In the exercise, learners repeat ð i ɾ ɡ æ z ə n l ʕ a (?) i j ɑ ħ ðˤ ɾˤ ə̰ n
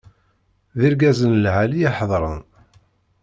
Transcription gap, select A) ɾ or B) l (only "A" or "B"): B